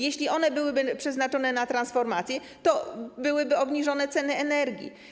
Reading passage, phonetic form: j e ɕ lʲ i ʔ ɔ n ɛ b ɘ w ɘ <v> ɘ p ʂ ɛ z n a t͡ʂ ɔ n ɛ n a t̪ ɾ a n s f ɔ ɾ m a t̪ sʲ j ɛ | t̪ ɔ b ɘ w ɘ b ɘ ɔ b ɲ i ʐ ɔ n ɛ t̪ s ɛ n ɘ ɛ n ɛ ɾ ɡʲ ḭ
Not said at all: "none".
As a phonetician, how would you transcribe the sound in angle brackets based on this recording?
b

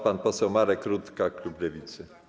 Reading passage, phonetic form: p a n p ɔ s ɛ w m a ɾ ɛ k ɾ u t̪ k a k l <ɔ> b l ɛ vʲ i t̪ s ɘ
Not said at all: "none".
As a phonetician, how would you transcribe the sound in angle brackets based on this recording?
u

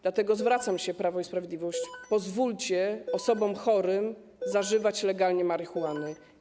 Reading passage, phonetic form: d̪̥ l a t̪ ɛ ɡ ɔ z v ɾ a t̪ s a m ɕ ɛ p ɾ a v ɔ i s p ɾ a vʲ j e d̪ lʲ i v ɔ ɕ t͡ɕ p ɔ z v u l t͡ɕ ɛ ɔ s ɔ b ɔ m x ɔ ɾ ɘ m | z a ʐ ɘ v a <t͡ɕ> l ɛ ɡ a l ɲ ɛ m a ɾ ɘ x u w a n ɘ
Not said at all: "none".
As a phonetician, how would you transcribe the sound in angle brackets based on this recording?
t͡ɕ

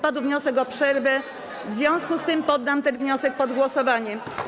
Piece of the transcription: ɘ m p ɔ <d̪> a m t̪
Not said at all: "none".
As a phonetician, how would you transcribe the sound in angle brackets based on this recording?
d̪ː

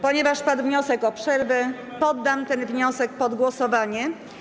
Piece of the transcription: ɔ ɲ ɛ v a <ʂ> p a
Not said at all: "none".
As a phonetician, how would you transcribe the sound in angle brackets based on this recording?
ʂ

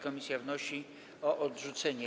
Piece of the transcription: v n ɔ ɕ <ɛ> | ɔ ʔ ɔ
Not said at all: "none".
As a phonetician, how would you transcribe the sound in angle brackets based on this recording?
i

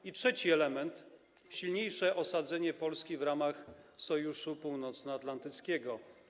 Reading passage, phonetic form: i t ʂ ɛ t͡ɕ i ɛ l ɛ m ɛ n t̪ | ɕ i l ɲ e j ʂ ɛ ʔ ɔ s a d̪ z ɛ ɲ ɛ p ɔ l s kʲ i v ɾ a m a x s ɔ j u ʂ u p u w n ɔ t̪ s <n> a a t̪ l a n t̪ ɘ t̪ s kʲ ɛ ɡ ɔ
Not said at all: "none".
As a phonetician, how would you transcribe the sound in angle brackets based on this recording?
n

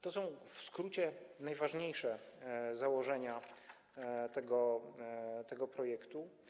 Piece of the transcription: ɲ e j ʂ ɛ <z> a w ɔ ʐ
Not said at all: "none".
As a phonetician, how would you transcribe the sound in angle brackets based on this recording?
z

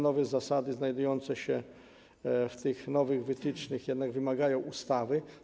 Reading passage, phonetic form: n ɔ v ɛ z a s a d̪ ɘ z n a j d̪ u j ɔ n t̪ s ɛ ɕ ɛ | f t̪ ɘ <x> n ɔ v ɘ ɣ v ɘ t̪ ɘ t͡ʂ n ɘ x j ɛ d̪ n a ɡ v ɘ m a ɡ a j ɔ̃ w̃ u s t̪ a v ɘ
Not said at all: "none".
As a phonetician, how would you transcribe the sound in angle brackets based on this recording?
x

